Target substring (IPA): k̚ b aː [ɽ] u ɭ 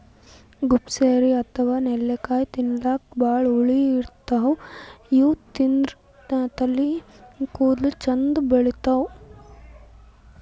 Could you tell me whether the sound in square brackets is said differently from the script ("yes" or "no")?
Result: yes